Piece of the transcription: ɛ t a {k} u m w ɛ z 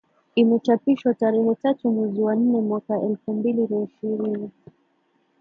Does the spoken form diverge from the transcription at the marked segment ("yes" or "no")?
yes